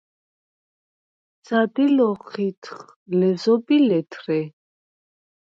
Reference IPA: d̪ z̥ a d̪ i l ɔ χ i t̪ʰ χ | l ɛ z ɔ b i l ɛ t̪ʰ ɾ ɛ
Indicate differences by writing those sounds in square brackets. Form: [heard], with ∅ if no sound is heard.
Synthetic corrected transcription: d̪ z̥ a d̪ i l ɔ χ i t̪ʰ χ | l ɛ z ɔ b i l ɛ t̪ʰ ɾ ɛ